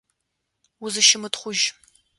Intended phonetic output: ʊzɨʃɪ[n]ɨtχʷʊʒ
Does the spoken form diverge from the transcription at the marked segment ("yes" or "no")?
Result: yes